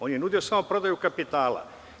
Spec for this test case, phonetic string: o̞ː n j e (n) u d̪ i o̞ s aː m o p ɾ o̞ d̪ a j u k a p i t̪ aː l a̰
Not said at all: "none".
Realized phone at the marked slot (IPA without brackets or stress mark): n